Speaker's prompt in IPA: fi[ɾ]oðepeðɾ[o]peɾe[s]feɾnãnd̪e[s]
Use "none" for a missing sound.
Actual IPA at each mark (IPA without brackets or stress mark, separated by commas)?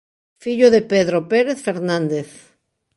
ʎ, o, θ, θ